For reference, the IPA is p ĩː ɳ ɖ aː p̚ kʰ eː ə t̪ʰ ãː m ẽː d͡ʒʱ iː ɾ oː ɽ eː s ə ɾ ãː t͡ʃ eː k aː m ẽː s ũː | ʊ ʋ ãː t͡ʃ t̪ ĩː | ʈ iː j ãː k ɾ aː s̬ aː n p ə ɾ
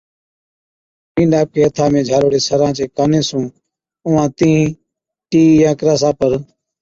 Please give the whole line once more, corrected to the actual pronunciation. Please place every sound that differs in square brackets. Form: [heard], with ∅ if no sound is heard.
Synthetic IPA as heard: p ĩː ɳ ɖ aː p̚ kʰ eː ə t̪ʰ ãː m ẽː d͡ʒʱ [aː] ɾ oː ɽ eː s ə ɾ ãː t͡ʃ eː k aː [n] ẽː s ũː | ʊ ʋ ãː [∅] t̪ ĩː | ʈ iː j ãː k ɾ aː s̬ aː [∅] p ə ɾ